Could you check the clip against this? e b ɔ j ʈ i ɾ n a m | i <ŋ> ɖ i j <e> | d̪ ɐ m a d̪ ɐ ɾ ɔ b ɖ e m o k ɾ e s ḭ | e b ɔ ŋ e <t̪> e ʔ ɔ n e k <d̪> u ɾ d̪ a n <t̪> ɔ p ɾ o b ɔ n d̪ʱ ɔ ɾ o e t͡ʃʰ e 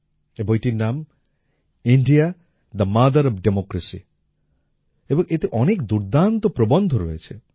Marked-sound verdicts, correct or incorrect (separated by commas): incorrect, incorrect, correct, correct, correct